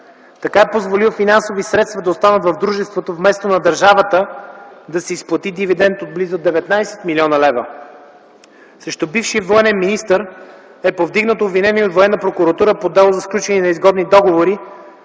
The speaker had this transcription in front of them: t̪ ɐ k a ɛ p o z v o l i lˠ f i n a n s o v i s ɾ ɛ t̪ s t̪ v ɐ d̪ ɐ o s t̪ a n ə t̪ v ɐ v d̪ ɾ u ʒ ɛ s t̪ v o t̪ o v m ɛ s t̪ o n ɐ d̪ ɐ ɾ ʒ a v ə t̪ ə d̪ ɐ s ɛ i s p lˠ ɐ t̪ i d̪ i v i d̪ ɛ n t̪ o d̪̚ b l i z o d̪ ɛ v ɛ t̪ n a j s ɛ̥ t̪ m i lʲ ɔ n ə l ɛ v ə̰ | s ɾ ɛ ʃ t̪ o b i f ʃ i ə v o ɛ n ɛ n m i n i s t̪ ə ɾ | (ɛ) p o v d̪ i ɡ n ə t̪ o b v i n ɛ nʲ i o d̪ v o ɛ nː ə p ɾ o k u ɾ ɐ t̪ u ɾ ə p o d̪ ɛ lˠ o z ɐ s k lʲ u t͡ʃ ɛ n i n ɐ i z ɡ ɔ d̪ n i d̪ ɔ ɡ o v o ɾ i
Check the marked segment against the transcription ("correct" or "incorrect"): correct